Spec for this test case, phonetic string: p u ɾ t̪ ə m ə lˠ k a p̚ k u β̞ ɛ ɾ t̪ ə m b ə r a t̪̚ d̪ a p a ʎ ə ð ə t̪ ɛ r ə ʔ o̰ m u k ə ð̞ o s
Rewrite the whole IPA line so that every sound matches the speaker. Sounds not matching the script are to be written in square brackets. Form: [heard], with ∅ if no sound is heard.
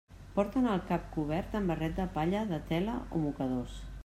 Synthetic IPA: p [ɔ] ɾ t̪ ə [n] ə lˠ k a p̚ k u β̞ ɛ ɾ t̪ ə m b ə r [ɛ] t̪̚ d̪ [ə] p a ʎ ə ð ə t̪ ɛ [l] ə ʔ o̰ m u k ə ð̞ o s